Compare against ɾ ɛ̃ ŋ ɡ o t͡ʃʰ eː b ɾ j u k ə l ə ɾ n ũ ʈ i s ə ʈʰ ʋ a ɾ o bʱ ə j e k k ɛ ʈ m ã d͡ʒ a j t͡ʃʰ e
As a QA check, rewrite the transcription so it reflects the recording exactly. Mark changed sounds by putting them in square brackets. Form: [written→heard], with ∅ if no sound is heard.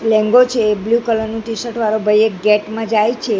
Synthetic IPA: [ɾ→l] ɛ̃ ŋ ɡ o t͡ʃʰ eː b [ɾ→l] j u k ə l ə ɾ n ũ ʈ i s ə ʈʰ ʋ a ɾ o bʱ ə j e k [k→ɡ] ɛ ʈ m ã d͡ʒ a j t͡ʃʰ e

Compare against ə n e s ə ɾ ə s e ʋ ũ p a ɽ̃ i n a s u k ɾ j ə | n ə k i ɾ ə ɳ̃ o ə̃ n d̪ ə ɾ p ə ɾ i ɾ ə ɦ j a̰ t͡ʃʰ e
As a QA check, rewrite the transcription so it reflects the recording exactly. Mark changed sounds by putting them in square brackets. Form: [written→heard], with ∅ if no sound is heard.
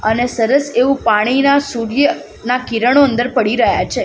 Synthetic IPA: ə n e s ə ɾ ə s e ʋ ũ p a ɽ̃ i n a s u [k→∅] ɾ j ə | n [ə→a] k i ɾ ə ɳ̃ o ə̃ n d̪ ə ɾ p ə [ɾ→ɽ] i ɾ ə ɦ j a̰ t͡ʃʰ e

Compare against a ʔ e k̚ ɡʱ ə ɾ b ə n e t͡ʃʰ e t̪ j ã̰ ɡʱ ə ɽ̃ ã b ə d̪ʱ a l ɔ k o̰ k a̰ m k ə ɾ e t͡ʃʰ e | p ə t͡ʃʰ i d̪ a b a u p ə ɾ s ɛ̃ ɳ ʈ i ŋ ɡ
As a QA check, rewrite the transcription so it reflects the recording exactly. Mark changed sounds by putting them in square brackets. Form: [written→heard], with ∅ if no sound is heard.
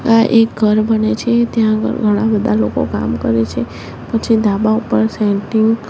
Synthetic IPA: a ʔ e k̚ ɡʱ ə ɾ b ə n e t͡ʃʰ e t̪ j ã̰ ɡʱ ə ɽ̃ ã b ə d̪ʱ a l [ɔ→o] k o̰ k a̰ m k ə ɾ e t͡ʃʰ e | p ə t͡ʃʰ i d̪ a b a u p ə ɾ s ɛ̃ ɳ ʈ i ŋ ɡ

